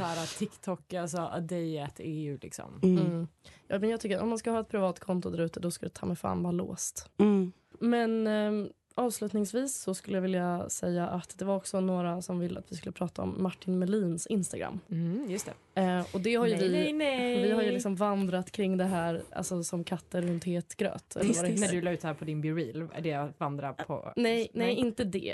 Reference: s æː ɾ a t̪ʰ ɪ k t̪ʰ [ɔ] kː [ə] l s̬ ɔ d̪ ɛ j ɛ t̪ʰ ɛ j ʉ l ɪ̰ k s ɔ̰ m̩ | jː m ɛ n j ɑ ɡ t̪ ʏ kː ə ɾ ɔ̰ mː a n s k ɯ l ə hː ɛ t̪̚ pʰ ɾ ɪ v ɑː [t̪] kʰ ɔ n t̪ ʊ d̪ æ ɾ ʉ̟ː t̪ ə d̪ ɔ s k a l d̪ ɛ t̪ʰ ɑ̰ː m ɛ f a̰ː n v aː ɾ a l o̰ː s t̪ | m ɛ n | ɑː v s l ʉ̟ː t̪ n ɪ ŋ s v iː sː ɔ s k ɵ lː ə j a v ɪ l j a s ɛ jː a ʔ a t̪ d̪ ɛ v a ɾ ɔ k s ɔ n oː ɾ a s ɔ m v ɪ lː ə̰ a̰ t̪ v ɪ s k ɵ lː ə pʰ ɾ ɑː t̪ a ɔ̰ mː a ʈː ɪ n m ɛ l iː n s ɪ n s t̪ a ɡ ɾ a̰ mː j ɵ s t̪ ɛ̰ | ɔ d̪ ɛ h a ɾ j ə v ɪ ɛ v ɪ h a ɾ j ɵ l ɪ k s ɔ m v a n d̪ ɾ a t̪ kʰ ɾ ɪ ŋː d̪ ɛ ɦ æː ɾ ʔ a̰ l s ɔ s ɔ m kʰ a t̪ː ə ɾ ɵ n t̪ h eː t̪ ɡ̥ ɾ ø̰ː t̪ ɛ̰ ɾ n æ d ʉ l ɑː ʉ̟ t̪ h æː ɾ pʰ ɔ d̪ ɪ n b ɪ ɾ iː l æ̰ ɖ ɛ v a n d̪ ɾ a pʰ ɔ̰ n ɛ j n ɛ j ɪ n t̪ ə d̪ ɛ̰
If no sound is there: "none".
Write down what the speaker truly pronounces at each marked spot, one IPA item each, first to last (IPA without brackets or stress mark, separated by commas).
ɔ, a, t̪